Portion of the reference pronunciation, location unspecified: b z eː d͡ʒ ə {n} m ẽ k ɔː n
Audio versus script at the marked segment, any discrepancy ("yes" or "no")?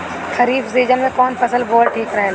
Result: no